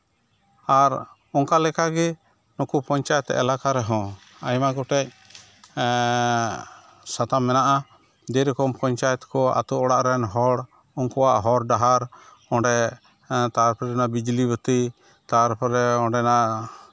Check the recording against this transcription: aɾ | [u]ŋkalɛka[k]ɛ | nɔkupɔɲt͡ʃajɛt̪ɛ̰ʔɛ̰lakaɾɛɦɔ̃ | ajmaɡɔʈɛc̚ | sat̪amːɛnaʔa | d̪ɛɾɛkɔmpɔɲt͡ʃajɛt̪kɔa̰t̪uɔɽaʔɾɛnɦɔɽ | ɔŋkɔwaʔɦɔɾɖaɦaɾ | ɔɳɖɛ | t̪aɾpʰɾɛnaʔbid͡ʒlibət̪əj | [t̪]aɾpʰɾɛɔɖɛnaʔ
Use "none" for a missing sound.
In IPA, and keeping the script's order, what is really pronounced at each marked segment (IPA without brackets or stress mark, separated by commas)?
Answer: ɔ, ɡ, t̪